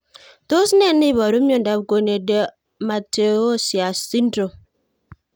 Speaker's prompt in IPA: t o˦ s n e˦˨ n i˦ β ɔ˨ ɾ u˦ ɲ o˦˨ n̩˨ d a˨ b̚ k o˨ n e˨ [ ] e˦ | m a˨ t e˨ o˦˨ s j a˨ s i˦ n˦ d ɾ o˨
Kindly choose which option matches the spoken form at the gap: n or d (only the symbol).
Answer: d